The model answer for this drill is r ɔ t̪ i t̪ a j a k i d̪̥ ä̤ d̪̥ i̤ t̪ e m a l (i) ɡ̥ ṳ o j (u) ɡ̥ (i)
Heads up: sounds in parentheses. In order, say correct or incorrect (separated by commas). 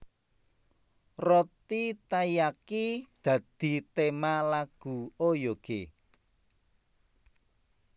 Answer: incorrect, incorrect, incorrect